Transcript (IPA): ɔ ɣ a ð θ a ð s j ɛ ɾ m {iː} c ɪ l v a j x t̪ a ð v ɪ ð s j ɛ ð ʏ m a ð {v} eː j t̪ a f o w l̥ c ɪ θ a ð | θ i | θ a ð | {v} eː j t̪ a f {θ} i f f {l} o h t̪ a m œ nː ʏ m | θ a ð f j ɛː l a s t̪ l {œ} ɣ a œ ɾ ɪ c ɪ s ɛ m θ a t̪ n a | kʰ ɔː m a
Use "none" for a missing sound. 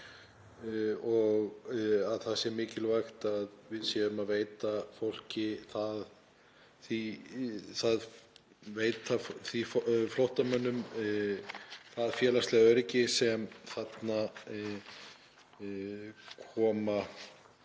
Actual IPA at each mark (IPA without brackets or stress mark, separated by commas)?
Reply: ɪː, v, v, θ, l, ɛ